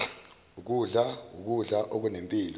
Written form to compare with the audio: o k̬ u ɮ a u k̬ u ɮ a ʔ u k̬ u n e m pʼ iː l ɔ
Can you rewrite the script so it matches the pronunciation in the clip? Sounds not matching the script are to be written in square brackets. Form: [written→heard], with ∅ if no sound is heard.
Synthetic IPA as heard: [o→u] k̬ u ɮ a u k̬ u ɮ a ʔ [u→o] k̬ u n e m pʼ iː l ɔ

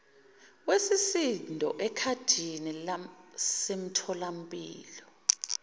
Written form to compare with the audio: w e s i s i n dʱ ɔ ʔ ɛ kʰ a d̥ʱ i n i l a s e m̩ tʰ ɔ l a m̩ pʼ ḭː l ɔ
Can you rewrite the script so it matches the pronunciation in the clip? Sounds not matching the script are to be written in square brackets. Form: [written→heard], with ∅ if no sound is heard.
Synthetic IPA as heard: w e s i s i n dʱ ɔ ʔ ɛ kʰ a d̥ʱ i n i l a s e m̩ tʰ ɔ l a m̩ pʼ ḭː l ɔ

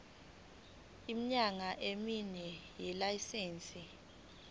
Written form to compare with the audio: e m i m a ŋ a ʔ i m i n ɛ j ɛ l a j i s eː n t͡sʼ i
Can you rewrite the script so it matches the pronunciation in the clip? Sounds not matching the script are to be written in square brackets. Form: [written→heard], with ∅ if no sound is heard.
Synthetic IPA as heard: [e→i] m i [m→ɲ] a ŋ a ʔ [i→e] m i n ɛ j ɛ l a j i s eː n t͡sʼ i

